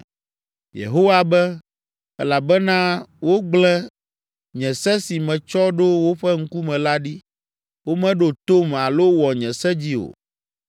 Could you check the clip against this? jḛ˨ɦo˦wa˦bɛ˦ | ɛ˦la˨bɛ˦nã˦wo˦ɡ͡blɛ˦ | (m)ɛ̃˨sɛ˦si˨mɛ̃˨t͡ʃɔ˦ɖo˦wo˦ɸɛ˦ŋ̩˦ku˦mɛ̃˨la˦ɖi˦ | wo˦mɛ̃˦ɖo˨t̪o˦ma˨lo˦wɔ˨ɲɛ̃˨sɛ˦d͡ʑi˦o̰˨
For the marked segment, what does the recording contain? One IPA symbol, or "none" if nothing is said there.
ɲ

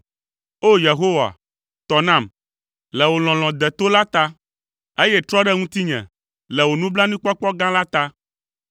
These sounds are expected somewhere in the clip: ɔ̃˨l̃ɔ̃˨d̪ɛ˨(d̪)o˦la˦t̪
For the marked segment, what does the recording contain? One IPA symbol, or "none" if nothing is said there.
t̪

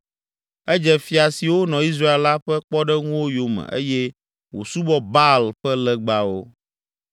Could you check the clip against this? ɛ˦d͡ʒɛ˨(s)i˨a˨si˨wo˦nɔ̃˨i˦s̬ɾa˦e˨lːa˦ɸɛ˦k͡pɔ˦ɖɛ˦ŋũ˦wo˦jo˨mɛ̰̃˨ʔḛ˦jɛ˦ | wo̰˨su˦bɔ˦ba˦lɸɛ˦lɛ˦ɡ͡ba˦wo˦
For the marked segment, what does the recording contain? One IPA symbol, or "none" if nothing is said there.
f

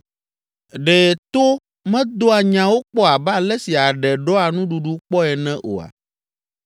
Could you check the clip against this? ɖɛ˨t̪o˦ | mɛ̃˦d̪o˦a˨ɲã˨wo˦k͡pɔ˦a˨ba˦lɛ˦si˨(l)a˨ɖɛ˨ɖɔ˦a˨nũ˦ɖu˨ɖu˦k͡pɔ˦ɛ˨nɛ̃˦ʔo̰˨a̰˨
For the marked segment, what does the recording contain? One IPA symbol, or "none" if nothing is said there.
none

